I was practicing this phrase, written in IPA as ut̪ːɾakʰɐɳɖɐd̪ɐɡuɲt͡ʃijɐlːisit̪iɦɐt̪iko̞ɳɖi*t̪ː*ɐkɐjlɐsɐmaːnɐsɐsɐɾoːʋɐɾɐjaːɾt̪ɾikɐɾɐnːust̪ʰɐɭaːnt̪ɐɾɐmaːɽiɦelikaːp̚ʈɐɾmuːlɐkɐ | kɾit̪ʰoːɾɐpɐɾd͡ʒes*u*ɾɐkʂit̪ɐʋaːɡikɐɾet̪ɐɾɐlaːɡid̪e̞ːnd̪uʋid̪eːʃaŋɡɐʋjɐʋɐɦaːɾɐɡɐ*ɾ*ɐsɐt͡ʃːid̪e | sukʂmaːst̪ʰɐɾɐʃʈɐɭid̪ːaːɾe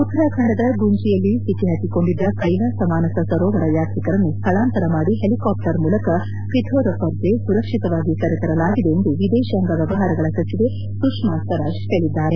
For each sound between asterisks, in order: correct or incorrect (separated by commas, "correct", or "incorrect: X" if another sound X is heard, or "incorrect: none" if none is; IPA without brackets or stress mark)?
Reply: incorrect: d̪ː, correct, incorrect: ɭ